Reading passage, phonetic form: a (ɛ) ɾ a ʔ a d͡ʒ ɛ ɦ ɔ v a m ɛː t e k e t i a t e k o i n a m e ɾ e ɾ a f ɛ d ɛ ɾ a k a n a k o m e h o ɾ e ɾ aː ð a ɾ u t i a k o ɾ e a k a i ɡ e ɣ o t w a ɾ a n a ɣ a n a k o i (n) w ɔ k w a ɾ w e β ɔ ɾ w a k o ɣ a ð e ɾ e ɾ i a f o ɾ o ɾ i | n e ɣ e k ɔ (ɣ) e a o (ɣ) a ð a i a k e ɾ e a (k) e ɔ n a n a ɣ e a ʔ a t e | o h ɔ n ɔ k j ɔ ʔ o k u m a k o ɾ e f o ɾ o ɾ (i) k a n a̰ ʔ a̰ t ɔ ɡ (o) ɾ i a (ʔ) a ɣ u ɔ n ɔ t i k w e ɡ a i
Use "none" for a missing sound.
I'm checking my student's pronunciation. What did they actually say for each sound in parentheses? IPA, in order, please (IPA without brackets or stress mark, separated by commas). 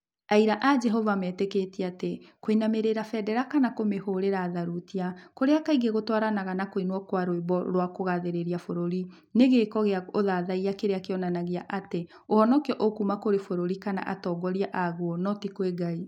i, n, ɣ, ð, k, i, ɔ, ʔ